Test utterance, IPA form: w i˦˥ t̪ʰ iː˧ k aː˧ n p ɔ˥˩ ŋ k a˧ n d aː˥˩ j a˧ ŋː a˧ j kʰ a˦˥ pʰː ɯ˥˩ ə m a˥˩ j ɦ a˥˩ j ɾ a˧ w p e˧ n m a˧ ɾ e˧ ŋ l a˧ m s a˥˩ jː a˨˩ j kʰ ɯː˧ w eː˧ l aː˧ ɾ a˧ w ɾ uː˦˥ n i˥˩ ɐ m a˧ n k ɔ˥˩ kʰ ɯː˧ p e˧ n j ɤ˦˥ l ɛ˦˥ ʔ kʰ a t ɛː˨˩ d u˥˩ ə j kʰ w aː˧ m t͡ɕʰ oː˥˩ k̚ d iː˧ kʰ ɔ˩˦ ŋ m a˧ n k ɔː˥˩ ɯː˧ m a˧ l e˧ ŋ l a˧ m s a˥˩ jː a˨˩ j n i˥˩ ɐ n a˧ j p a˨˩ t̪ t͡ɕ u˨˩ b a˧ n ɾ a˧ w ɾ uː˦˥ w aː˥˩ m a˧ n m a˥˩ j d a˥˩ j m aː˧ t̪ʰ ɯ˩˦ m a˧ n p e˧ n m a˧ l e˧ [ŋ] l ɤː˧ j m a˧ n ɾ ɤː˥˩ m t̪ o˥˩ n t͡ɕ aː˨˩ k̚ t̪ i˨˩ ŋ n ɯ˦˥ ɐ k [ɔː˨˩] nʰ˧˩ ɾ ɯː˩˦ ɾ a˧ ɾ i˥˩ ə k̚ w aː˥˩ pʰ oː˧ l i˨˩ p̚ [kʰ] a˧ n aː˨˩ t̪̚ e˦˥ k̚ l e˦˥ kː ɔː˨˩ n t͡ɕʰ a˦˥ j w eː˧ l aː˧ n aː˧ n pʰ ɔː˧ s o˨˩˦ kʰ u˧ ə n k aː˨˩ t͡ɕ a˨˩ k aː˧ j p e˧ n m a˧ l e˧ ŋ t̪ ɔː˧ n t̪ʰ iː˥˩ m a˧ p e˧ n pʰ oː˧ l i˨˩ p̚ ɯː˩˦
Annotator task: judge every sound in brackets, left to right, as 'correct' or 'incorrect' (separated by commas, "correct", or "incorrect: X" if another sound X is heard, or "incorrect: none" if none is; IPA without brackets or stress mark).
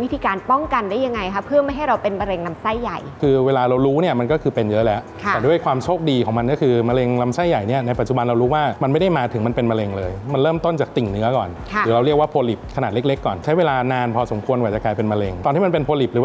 correct, correct, correct